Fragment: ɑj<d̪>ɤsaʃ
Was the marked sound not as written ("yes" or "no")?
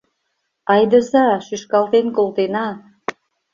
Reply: no